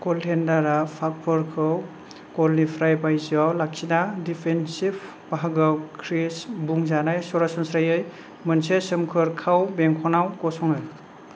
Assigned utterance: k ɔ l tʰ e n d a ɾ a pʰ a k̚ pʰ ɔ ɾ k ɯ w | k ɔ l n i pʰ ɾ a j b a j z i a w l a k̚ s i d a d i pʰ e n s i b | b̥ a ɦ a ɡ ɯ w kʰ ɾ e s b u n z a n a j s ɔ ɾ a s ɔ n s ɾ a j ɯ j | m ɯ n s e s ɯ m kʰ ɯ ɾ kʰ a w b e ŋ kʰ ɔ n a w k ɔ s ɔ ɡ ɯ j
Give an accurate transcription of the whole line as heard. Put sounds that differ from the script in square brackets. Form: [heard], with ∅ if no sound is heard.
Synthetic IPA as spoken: k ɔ l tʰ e n d a ɾ a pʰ a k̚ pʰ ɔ ɾ [kʰ] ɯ w | k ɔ l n i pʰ ɾ a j b a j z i a w l a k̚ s i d a d i pʰ e n s i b | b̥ a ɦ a ɡ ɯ w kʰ ɾ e s b u [ŋ] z a n a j s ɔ ɾ a s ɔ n s ɾ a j ɯ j | m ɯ n s e s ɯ m kʰ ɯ ɾ kʰ a w b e ŋ kʰ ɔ n a w k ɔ s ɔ [ŋ] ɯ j

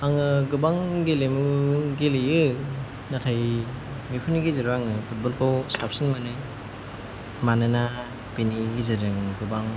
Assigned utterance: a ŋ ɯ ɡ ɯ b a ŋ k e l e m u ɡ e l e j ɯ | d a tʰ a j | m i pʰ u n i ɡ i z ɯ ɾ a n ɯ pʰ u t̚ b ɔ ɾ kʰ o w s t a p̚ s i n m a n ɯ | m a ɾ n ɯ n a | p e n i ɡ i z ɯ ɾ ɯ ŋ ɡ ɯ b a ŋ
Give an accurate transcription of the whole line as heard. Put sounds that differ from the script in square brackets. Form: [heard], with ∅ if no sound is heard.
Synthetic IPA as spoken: a ŋ ɯ ɡ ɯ b a ŋ [ɡ] e l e m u ɡ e l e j ɯ | [n] a tʰ a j | m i pʰ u n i ɡ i z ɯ ɾ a [ŋ] ɯ pʰ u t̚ b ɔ [l] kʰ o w s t a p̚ s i n m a n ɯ | m a [∅] n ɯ n a | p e n i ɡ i z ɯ ɾ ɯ ŋ ɡ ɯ b a ŋ

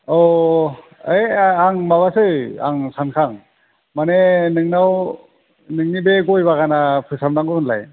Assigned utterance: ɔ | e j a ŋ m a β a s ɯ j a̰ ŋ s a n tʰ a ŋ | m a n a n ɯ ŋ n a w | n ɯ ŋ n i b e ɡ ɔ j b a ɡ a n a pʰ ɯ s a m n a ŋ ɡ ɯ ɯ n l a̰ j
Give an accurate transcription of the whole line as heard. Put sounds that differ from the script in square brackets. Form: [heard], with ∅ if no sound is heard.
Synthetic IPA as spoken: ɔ | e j a ŋ m a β a s ɯ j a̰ ŋ s a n [kʰ] a ŋ | m a n [e] n ɯ ŋ n a w | n ɯ ŋ n i b e ɡ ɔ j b a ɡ a n a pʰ ɯ s a m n a ŋ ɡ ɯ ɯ n l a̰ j

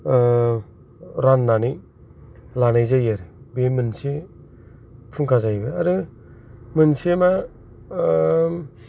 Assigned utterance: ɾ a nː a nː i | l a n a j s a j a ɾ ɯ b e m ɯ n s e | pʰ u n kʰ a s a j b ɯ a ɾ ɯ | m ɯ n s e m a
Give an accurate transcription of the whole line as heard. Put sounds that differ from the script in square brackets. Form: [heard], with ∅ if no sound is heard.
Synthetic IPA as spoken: ɾ a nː a [n] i | l a n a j [z] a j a ɾ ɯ b e m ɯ n s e | pʰ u [ŋ] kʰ a [z] a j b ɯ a ɾ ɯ | m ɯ n s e m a

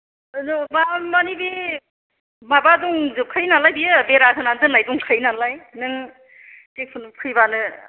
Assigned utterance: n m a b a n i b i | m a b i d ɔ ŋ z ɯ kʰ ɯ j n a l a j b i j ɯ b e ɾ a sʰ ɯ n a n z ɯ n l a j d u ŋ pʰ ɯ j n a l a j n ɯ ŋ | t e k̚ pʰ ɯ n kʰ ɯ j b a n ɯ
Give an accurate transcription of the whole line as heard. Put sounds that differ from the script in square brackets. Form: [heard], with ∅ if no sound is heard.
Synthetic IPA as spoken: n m a [m] a n i b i | m a b [a] d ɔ ŋ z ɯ kʰ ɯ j n a l a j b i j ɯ b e ɾ a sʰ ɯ n a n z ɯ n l a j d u ŋ [kʰ] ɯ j n a l a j n ɯ ŋ | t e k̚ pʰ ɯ n kʰ ɯ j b a n ɯ

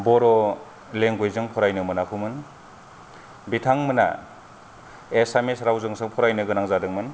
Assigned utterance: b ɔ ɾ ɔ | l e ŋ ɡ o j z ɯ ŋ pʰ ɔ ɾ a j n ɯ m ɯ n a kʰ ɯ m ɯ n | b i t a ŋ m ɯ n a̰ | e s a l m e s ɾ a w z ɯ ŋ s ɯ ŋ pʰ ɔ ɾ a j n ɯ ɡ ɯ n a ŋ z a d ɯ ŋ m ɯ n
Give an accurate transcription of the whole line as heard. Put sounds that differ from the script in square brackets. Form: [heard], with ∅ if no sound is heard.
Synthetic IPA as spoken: b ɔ ɾ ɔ | l e ŋ ɡ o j z ɯ ŋ pʰ ɔ ɾ a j n ɯ m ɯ n a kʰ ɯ m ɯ n | b i [tʰ] a ŋ m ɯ n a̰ | e s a [∅] m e s ɾ a w z ɯ ŋ s ɯ ŋ pʰ ɔ ɾ a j n ɯ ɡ ɯ n a ŋ z a d ɯ ŋ m ɯ n

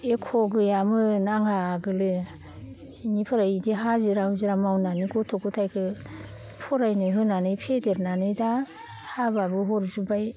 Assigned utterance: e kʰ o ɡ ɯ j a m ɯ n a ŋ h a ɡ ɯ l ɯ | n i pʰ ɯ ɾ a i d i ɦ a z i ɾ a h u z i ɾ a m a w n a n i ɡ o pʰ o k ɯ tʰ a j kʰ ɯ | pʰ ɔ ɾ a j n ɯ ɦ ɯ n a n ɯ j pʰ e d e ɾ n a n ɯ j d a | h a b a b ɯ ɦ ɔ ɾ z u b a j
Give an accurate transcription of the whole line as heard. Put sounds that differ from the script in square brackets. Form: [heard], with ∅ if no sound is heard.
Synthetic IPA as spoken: e kʰ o ɡ ɯ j a m ɯ n a ŋ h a ɡ ɯ l ɯ | n i pʰ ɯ ɾ a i d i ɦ a z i ɾ a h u z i ɾ a m a w n a n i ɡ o [tʰ] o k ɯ tʰ a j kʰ ɯ | pʰ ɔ ɾ a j n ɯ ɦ ɯ n a n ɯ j pʰ e d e ɾ n a n ɯ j d a | h a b a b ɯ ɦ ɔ ɾ z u b a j

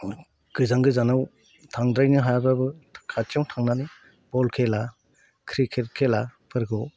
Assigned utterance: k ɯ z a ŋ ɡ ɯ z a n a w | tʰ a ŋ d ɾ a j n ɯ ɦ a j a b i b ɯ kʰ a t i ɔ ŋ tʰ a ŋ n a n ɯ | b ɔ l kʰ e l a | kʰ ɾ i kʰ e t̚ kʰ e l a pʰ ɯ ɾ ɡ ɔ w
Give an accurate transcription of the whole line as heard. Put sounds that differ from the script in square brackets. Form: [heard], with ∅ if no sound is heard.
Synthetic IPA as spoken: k ɯ z a ŋ ɡ ɯ z a n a w | tʰ a ŋ d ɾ a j n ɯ ɦ a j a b [a] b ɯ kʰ a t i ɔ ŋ tʰ a ŋ n a n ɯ | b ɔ l kʰ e l a | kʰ ɾ i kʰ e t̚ kʰ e l a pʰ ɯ ɾ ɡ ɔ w

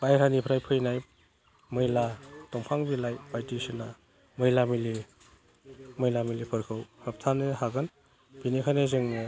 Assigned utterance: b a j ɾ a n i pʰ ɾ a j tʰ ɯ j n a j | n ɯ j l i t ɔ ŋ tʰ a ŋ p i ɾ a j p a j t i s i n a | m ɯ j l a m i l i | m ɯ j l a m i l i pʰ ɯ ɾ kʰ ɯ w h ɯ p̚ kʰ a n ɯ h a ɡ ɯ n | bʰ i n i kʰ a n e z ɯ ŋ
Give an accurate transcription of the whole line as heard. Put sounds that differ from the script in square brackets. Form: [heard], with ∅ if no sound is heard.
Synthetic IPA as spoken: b a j ɾ a n i pʰ ɾ a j [pʰ] ɯ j n a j | [m] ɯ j l [a] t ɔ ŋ [pʰ] a ŋ [b] i [l] a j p a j t i s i n a | m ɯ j l a m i l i | m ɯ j l a m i l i pʰ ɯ ɾ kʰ ɯ w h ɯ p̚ [tʰ] a n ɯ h a ɡ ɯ n | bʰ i n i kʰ a n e z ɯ ŋ

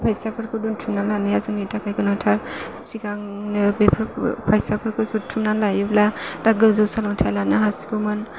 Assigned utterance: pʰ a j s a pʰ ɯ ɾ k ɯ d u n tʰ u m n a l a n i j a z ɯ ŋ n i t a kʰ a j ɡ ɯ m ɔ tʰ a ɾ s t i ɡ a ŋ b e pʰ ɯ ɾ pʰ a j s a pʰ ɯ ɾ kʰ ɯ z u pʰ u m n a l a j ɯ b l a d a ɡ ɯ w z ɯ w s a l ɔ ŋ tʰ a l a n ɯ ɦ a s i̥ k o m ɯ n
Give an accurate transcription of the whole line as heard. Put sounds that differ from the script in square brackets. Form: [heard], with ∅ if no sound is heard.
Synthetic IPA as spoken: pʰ a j s a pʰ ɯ ɾ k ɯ d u n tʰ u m n a l a n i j a z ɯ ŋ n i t a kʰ a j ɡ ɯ [n] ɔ tʰ a ɾ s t i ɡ a ŋ b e pʰ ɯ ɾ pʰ a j s a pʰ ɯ ɾ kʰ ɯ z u [tʰ] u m n a l a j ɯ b l a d a ɡ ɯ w z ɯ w s a l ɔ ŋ tʰ a l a n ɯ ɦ a s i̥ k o m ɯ n

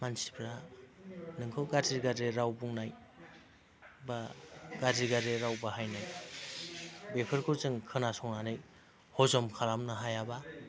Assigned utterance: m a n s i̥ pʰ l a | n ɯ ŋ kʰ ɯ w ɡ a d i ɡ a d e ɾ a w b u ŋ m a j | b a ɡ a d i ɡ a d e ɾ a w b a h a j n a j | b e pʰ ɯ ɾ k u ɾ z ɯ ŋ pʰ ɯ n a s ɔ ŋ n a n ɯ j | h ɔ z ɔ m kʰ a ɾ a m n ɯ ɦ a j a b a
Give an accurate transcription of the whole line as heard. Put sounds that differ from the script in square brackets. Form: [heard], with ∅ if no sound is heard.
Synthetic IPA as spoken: m a n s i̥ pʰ [ɾ] a | n ɯ ŋ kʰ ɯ w ɡ a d i ɡ a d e ɾ a w b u ŋ [n] a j | b a ɡ a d i ɡ a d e ɾ a w b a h a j n a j | b e pʰ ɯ ɾ k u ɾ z ɯ ŋ [kʰ] ɯ n a s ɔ ŋ n a n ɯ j | h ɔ z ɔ m kʰ a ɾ a m n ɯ ɦ a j a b a

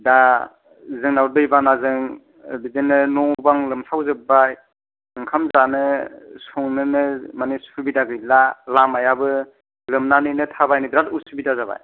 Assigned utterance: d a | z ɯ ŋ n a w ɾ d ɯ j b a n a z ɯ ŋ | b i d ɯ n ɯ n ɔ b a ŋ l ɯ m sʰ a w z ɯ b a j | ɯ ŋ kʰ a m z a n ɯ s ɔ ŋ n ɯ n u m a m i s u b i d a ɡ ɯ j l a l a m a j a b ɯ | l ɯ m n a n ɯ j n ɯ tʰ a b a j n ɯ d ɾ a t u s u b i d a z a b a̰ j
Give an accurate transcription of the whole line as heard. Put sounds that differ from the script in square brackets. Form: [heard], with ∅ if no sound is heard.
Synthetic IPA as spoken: d a | z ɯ ŋ n a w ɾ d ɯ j b a n a z ɯ ŋ | b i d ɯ n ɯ n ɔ b a ŋ l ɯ m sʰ a w z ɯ b a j | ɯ ŋ kʰ a m z a n ɯ s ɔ ŋ n ɯ n [ɯ] m a [n] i s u b i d a ɡ ɯ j l a l a m a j a b ɯ | l ɯ m n a n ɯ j n ɯ tʰ a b a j n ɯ d ɾ a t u s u b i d a z a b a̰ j

